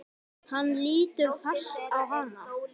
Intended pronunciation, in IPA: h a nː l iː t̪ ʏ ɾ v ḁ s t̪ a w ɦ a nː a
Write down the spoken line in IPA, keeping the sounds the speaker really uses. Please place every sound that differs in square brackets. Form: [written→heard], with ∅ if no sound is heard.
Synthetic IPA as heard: h a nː l iː t̪ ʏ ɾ [v→f] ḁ s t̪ a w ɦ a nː a